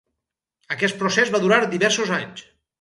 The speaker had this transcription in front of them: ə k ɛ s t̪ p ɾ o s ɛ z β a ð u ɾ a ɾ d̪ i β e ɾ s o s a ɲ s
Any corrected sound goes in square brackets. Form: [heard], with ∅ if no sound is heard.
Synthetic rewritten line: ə k ɛ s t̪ p ɾ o s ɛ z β a ð u ɾ a ɾ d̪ i β [ɛ] ɾ s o [z] a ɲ s